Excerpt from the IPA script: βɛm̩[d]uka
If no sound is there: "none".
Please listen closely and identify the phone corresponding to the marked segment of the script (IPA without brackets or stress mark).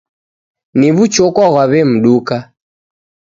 ɗ